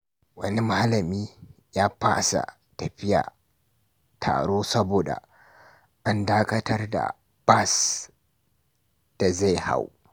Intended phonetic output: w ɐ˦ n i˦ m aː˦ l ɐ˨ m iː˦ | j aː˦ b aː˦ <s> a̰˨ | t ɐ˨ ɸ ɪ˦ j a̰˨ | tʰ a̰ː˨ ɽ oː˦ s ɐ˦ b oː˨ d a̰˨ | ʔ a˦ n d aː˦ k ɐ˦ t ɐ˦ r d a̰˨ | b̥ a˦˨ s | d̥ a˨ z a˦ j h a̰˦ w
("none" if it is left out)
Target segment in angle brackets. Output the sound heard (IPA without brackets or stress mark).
s